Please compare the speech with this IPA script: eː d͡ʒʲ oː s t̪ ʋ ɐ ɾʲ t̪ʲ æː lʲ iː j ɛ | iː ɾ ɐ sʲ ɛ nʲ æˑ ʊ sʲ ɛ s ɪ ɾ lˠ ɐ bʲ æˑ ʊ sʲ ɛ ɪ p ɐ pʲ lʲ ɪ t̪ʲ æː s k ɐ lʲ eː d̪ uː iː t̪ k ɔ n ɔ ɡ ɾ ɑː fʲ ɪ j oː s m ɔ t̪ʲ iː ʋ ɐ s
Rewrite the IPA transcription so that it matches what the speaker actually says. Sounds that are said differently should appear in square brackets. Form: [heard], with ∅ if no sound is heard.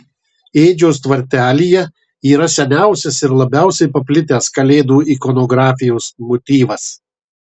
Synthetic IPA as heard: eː d͡ʒʲ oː s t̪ ʋ ɐ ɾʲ t̪ʲ æː lʲ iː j ɛ | iː ɾ ɐ sʲ ɛ nʲ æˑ ʊ sʲ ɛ s ɪ ɾ lˠ ɐ bʲ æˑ ʊ sʲ ɛ ɪ p ɐ pʲ lʲ ɪ t̪ʲ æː s k ɐ lʲ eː d̪ uː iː [∅] k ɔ n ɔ ɡ ɾ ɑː fʲ ɪ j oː s m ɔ t̪ʲ iː ʋ ɐ s